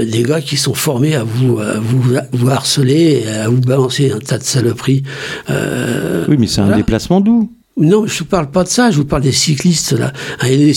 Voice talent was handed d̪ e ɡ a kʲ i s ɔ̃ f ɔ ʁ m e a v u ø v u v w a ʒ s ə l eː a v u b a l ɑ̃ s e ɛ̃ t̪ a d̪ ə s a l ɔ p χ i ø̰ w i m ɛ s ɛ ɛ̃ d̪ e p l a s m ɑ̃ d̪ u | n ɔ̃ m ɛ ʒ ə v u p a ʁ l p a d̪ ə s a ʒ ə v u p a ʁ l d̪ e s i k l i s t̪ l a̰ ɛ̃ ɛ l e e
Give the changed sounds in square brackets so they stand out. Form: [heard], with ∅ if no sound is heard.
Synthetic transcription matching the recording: d̪ e ɡ a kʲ i s ɔ̃ f ɔ ʁ m e a v u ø v u v [u] a [ʁ] s ə l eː a v u b a l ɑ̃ s e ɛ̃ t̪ a d̪ ə s a l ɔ p χ i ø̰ w i m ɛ s ɛ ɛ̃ d̪ e p l a s m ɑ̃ d̪ u | n ɔ̃ m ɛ ʒ ə v u p a ʁ l p a d̪ ə s a ʒ ə v u p a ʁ l d̪ e s i k l i s t̪ l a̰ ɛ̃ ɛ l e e